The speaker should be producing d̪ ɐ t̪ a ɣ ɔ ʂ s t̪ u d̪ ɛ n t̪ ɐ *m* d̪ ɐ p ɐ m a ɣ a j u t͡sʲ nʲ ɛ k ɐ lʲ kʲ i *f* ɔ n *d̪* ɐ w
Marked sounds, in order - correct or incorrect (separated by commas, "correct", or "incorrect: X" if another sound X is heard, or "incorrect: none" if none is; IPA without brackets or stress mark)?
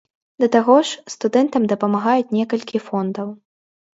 correct, correct, correct